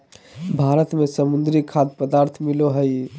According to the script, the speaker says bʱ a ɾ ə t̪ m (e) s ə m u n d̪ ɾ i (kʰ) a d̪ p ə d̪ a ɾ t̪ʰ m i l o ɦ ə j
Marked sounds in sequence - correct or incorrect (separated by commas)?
correct, correct